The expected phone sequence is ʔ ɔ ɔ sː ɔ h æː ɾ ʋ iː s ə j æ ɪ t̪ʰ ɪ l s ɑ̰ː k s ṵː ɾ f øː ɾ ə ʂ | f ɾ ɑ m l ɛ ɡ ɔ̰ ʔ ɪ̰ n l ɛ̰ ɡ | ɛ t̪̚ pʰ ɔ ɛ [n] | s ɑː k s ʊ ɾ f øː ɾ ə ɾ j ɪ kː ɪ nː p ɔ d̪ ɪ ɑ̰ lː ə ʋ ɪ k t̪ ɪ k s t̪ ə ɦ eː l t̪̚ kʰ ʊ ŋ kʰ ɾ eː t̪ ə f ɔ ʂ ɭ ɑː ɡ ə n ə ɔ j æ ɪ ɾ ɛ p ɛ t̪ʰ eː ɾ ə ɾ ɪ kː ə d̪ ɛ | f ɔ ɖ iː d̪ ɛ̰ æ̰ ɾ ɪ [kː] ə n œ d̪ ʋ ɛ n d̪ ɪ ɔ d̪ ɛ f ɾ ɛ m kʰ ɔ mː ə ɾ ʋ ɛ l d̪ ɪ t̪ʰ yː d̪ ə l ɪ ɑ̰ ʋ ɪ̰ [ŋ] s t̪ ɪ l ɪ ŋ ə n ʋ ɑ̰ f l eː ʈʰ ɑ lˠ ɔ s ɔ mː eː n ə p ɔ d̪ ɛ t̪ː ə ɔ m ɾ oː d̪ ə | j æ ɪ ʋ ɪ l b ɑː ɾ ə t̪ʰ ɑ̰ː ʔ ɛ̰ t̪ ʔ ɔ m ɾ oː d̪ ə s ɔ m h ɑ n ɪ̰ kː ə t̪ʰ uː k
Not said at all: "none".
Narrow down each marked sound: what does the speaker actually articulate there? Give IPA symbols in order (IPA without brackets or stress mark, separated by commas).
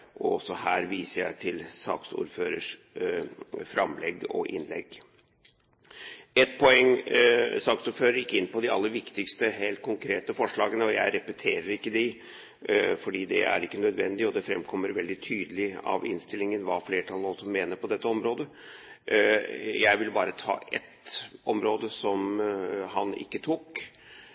ŋ, kː, n